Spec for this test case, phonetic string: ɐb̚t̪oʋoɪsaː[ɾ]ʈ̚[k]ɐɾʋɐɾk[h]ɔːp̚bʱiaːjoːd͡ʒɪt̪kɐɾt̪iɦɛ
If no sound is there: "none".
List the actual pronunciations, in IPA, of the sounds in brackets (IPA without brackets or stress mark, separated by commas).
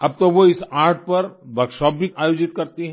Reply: ɾ, p, ʃ